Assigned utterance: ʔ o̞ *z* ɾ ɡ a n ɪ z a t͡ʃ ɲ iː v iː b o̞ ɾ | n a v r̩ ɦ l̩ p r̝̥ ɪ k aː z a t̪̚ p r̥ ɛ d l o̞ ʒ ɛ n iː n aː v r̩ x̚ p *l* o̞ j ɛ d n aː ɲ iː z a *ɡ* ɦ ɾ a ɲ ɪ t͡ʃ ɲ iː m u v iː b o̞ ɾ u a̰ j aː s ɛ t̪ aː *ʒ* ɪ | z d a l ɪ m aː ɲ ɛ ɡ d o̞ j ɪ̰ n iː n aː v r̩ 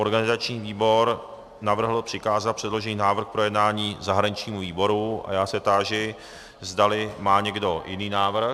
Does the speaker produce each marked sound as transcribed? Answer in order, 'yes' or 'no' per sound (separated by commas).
no, no, no, yes